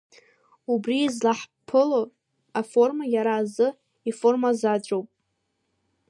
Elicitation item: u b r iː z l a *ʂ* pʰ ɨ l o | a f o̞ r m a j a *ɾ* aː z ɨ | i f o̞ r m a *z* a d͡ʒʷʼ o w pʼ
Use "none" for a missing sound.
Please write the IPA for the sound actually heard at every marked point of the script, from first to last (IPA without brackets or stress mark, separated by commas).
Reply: ħ, ɾ, z